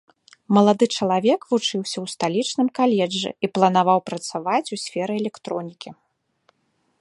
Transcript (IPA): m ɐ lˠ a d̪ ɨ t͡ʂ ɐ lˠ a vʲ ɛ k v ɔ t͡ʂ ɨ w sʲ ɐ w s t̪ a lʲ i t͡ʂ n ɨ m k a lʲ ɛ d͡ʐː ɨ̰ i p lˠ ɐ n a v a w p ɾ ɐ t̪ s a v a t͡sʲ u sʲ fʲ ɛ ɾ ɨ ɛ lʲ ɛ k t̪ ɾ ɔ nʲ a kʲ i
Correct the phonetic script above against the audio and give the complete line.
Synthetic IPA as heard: m ɐ lˠ a d̪ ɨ t͡ʂ ɐ lˠ a vʲ ɛ k v u t͡ʂ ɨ w sʲ ɐ w s t̪ a lʲ i t͡ʂ n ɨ m k a lʲ ɛ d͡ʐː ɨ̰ i p lˠ ɐ n a v a w p ɾ ɐ t̪ s a v a t͡sʲ u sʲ fʲ ɛ ɾ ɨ ɛ lʲ ɛ k t̪ ɾ ɔ nʲ i kʲ i

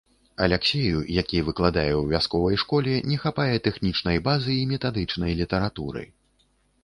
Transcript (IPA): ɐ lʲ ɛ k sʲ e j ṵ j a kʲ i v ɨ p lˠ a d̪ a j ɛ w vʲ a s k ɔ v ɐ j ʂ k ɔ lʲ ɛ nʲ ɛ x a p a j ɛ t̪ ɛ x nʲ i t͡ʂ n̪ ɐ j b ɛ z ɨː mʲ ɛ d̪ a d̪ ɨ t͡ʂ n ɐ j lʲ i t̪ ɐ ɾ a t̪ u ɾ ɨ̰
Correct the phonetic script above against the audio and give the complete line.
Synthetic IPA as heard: ɐ lʲ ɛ k sʲ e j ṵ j a kʲ i v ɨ k lˠ a d̪ a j ɛ w vʲ a s k ɔ v ɐ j ʂ k ɔ lʲ ɛ nʲ ɛ x a p a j ɛ t̪ ɛ x nʲ i t͡ʂ n̪ ɐ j b a z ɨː mʲ ɛ t̪ a d̪ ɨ t͡ʂ n ɐ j lʲ i t̪ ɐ ɾ a t̪ u ɾ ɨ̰

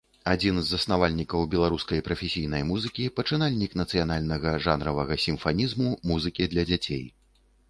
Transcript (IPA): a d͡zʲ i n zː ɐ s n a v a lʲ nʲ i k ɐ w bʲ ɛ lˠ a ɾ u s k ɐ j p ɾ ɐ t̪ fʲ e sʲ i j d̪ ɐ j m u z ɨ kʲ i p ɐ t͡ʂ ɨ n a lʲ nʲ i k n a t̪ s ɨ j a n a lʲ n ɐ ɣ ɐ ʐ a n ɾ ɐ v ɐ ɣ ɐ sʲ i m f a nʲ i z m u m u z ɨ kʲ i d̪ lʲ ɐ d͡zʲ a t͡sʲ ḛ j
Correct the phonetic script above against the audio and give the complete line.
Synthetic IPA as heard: a d͡zʲ i n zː ɐ s n a v a lʲ nʲ i k ɐ w bʲ ɛ lˠ a ɾ u s k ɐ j p ɾ ɐ fʲ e sʲ i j n̪ ɐ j m u z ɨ kʲ i p ɐ t͡ʂ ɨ n a lʲ nʲ i k n ɐ t̪ s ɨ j a n a lʲ n ɐ ɣ ɐ ʐ a n ɾ ɐ v ɐ ɣ ɐ sʲ i m f a nʲ i z m u m u z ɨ kʲ i d̪ lʲ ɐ d͡zʲ a t͡sʲ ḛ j

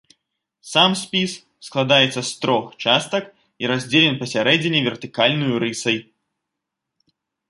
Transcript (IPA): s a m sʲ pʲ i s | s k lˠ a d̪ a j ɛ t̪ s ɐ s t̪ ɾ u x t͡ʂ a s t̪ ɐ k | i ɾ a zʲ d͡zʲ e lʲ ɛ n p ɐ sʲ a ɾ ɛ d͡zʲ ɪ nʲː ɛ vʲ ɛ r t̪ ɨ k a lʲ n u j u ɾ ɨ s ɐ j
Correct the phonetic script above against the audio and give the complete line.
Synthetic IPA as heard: s a m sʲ pʲ i s | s k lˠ a d̪ a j ɛ t̪ s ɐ s t̪ ɾ ɔ x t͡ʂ a s t̪ ɐ k | i ɾ a zʲ d͡zʲ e lʲ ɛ n p ɐ sʲ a ɾ ɛ d͡zʲ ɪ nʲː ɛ vʲ ɛ r t̪ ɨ k a lʲ n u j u ɾ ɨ s ɐ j

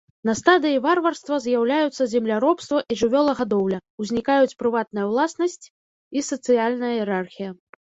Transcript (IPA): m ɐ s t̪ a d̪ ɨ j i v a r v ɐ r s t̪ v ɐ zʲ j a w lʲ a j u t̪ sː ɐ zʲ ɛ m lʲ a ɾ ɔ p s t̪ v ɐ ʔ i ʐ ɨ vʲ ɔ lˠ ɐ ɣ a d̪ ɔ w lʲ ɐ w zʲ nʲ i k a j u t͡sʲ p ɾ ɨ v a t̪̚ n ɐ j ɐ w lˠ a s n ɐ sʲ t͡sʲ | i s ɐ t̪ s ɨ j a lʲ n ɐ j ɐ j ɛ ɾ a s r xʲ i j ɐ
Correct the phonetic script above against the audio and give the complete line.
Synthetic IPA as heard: n ɐ s t̪ a d̪ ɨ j i v a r v ɐ r s t̪ v ɐ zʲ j a w lʲ a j u t̪ sː ɐ zʲ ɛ m lʲ a ɾ ɔ p s t̪ v ɐ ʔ i ʐ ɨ vʲ ɔ lˠ ɐ ɣ a d̪ ɔ w lʲ ɐ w zʲ nʲ i k a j u t͡sʲ p ɾ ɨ v a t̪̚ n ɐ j ɐ w lˠ a s n ɐ sʲ t͡sʲ | i s ɐ t̪ s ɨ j a lʲ n ɐ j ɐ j ɛ ɾ a r xʲ i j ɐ

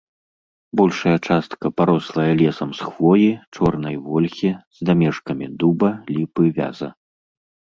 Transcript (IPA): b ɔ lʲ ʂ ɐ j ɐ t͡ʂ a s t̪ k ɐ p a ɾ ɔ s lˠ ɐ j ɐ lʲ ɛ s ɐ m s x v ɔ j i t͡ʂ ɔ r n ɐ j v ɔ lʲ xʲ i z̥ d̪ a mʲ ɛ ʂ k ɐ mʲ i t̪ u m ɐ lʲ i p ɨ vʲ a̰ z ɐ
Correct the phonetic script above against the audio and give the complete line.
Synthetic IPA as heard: b ɔ lʲ ʂ ɐ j ɐ t͡ʂ a s t̪ k ɐ p a ɾ ɔ s lˠ ɐ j ɐ lʲ ɛ s ɐ m s x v ɔ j i t͡ʂ ɔ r n ɐ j v ɔ lʲ xʲ i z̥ d̪ a mʲ ɛ ʂ k ɐ mʲ i d̪ u b ɐ lʲ i p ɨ vʲ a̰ z ɐ

